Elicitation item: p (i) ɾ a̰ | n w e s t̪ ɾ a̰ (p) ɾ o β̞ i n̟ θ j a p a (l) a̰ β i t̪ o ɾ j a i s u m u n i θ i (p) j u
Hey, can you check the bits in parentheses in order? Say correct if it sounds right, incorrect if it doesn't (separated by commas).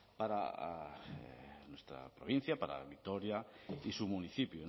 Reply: incorrect, correct, incorrect, correct